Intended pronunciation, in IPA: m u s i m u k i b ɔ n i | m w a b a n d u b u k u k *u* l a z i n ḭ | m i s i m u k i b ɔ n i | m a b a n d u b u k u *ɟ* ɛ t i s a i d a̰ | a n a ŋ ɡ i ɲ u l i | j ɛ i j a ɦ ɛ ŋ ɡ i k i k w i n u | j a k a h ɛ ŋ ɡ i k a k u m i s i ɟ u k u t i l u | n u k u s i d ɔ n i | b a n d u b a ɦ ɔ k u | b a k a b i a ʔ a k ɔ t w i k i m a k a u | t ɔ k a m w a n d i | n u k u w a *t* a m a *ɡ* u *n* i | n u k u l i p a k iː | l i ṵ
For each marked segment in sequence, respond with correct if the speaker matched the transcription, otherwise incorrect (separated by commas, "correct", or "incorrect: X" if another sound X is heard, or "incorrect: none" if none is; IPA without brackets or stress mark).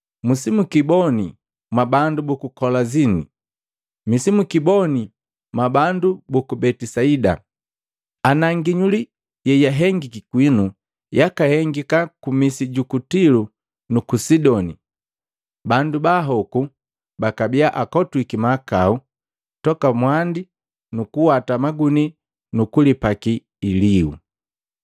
incorrect: ɔ, incorrect: b, correct, correct, correct